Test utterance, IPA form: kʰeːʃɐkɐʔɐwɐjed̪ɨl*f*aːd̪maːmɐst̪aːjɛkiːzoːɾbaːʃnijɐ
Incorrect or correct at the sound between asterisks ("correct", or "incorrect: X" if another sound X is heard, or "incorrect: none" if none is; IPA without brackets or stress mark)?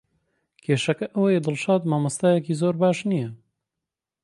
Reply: incorrect: ʃ